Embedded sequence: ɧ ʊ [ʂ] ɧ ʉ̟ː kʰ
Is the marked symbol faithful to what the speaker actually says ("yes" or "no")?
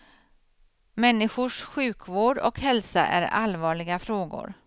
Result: yes